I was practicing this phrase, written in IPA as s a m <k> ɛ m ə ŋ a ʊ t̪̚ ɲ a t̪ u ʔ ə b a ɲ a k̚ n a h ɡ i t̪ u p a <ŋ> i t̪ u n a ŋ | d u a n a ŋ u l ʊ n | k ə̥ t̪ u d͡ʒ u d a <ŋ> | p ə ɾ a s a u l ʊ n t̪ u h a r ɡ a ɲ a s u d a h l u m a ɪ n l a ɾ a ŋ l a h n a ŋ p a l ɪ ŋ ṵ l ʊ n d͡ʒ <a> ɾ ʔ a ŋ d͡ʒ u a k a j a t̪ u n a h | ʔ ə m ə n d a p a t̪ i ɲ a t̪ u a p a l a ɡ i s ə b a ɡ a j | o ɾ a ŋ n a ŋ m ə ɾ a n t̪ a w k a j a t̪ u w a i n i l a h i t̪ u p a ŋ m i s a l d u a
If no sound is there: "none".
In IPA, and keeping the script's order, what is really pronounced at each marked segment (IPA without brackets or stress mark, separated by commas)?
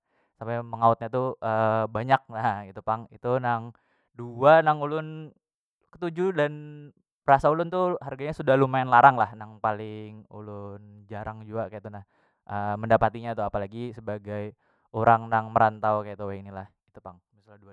p, ŋ, n, a